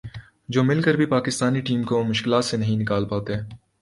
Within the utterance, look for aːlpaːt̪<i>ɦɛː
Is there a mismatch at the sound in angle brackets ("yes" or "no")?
yes